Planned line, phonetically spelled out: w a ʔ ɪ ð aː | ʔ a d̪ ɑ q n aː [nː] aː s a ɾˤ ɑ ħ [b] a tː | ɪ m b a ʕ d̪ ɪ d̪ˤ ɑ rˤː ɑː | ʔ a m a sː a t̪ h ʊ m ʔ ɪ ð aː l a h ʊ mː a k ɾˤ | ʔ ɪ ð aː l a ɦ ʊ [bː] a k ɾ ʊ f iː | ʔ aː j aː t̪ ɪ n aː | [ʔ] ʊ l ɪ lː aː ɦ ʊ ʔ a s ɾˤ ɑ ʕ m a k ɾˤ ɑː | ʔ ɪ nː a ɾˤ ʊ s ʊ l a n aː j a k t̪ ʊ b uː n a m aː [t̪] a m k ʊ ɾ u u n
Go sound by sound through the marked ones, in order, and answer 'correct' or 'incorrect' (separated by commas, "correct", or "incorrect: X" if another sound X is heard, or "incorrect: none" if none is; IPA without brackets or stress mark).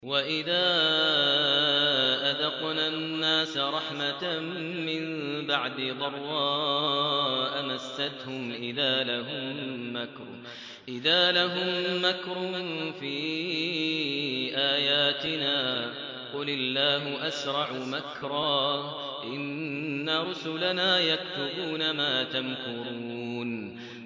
correct, incorrect: m, incorrect: mː, incorrect: q, correct